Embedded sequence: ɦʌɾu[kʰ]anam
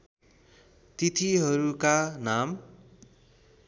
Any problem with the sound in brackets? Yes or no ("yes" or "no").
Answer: yes